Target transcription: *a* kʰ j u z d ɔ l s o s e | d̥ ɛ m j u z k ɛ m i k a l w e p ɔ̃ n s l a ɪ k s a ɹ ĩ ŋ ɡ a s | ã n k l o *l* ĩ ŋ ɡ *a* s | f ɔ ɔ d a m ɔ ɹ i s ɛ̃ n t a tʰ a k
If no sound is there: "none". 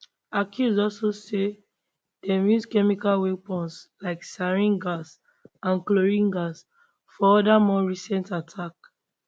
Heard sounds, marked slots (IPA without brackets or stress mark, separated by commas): a, ɹ, a